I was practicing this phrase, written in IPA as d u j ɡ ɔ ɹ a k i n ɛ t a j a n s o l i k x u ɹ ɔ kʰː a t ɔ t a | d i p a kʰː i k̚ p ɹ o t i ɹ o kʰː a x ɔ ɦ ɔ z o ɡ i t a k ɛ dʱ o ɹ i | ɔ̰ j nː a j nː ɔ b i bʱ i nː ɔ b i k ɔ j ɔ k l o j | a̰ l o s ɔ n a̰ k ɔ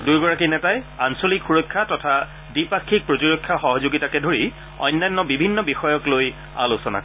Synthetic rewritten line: d u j ɡ ɔ ɹ a k i n ɛ t a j a n s o l i k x u ɹ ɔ kʰː a t ɔ tʰ a | d i p a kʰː i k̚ p ɹ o t i ɹ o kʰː a x ɔ ɦ ɔ z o ɡ i t a k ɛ dʱ o ɹ i | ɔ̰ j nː a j nː ɔ b i bʱ i nː ɔ b i x ɔ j ɔ k l o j | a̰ l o s ɔ n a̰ k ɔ